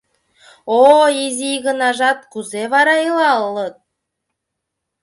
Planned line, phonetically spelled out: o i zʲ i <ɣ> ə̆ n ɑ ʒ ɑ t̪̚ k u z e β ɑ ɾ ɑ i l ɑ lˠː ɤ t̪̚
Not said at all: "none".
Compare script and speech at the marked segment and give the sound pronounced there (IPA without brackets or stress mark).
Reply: ɣ